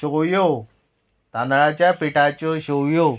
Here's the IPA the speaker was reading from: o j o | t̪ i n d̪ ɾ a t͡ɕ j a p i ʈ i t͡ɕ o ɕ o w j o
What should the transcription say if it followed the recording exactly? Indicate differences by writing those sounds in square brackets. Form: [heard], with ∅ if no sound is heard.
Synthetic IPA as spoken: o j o | t̪ [a] n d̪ [ɭ] a t͡ɕ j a p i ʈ [a] t͡ɕ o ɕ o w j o